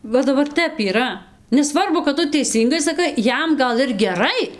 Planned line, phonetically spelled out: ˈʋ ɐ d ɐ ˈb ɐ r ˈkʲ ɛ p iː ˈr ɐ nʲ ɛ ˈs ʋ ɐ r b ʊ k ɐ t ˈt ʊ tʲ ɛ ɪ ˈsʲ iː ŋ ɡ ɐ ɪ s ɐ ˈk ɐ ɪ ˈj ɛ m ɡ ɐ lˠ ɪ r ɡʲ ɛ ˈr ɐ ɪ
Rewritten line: ˈʋ ɐ d ɐ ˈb ɐ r ˈtʲ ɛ p iː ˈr ɐ nʲ ɛ ˈs ʋ ɐ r b ʊ k ɐ t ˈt ʊ tʲ ɛ ɪ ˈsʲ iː ŋ ɡ ɐ ɪ s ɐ ˈk ɐ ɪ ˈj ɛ m ɡ ɐ lˠ ɪ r ɡʲ ɛ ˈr ɐ ɪ